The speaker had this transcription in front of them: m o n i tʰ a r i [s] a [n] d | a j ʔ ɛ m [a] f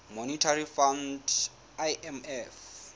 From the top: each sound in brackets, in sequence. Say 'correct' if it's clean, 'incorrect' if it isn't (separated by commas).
incorrect, correct, incorrect